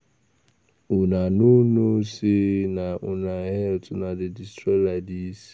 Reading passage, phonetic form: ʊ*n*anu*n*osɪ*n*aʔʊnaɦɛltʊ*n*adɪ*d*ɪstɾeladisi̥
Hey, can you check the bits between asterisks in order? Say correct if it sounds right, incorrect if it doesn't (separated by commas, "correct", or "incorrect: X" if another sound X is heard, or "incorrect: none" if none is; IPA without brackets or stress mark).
correct, correct, correct, correct, correct